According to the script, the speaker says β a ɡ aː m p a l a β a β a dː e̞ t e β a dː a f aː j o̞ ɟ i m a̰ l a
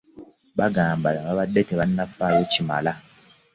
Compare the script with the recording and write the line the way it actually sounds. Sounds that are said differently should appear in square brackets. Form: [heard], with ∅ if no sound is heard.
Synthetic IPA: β a ɡ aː m [b] a l a β a β a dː e̞ t e β a [nː] a f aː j o̞ [c] i m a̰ l a